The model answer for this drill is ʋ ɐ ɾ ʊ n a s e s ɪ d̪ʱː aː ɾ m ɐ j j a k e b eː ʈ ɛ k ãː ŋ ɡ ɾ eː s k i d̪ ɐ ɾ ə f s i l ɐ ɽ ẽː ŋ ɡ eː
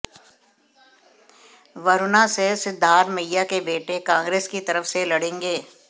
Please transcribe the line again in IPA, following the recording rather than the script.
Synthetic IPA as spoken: ʋ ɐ ɾ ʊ n a s e s ɪ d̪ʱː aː ɾ m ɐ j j a k e b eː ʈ e k ãː ŋ ɡ ɾ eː s k i t̪ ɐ ɾ ə f s e l ɐ ɽ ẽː ŋ ɡ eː